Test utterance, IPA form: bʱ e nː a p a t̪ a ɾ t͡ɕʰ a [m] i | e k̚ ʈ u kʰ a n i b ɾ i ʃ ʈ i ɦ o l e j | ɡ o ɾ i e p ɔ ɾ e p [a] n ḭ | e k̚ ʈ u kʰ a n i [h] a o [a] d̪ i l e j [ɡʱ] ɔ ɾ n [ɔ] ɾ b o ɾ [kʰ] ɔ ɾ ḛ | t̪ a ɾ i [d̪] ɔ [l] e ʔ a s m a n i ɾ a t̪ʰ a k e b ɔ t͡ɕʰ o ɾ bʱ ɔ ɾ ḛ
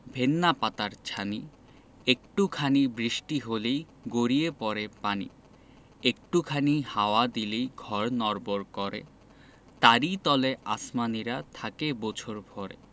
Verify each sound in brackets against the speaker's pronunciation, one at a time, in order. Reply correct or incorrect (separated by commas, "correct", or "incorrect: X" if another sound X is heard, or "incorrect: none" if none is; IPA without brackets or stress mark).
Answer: incorrect: n, correct, correct, correct, correct, correct, incorrect: k, incorrect: t̪, correct